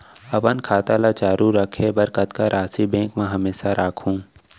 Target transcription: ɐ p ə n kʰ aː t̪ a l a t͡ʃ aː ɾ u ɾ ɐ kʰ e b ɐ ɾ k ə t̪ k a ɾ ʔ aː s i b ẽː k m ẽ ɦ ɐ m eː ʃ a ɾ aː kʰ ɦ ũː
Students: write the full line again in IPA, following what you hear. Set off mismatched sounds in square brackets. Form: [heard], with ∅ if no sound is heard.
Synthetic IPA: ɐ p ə n kʰ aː t̪ a l a t͡ʃ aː ɾ u ɾ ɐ kʰ e b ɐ ɾ k ə t̪ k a ɾ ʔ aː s i b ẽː k m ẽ ɦ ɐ m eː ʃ a ɾ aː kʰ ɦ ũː